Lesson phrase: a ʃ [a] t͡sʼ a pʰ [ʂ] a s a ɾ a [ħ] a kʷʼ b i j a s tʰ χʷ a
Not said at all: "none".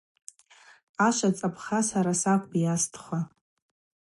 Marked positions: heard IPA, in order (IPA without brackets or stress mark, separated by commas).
a, χ, s